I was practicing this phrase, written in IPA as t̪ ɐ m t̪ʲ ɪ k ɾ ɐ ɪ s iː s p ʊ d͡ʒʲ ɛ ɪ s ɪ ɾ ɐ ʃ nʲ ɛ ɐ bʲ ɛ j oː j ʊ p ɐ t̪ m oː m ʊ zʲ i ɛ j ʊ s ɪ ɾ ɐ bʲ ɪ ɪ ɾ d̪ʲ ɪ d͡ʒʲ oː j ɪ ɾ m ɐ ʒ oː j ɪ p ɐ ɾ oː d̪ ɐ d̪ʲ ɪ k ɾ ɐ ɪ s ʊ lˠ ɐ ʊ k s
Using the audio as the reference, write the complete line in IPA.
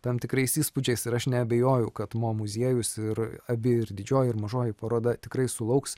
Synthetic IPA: t̪ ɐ m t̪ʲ ɪ k ɾ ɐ ɪ s iː s p ʊ d͡ʒʲ ɛ ɪ s ɪ ɾ ɐ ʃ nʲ ɛ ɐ bʲ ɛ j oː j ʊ k ɐ t̪ m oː m ʊ zʲ i ɛ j ʊ s ɪ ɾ ɐ bʲ ɪ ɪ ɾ d̪ʲ ɪ d͡ʒʲ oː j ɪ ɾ m ɐ ʒ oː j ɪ p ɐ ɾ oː d̪ ɐ t̪ʲ ɪ k ɾ ɐ ɪ s ʊ lˠ ɐ ʊ k s

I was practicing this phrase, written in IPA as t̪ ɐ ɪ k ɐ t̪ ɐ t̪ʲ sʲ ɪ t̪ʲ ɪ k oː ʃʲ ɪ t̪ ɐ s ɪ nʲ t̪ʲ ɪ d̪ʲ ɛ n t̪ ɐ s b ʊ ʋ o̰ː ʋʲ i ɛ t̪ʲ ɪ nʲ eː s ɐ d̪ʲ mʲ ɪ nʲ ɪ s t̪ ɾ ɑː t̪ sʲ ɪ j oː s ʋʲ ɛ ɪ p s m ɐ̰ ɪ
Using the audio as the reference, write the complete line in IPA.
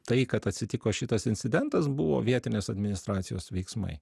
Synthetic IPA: t̪ ɐ ɪ k ɐ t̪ ɐ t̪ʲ sʲ ɪ t̪ʲ ɪ k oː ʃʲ ɪ t̪ ɐ s ɪ nʲ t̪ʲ ɪ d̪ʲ ɛ n t̪ ɐ s b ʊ ʋ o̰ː ʋʲ i ɛ t̪ʲ ɪ nʲ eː s ɐ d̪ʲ mʲ ɪ nʲ ɪ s t̪ ɾ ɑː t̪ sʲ ɪ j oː s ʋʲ ɛ ɪ k s m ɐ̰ ɪ

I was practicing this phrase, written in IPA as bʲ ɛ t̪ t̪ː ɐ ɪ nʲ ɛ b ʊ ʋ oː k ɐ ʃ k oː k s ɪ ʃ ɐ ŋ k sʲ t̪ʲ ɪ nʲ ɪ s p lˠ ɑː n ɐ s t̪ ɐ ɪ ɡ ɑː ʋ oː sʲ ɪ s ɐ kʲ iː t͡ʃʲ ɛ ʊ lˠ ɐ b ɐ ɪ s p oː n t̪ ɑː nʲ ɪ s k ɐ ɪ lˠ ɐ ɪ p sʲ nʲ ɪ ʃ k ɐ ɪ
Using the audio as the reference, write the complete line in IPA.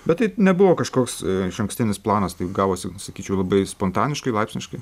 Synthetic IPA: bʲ ɛ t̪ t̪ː ɐ ɪ nʲ ɛ b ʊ ʋ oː k ɐ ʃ k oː k s ɪ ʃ ɐ ŋ k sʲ t̪ʲ ɪ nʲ ɪ s p lˠ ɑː n ɐ s t̪ ɐ ɪ ɡ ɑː ʋ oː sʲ ɪ s ɐ kʲ iː t͡ʃʲ ɛ ʊ lˠ ɐ b ɐ ɪ s p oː n t̪ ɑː nʲ ɪ ʃ k ɐ ɪ lˠ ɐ ɪ p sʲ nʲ ɪ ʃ k ɐ ɪ

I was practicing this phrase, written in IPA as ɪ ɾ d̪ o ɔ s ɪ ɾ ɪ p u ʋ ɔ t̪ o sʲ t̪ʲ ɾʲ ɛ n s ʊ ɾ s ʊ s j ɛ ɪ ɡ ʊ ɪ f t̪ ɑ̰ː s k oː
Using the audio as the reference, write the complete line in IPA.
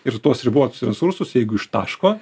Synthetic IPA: ɪ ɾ t̪ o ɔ s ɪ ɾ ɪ b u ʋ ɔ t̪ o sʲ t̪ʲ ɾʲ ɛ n s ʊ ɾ s ʊ s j ɛ ɪ ɡ ʊ ɪ ʃ t̪ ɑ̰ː ʃ k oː

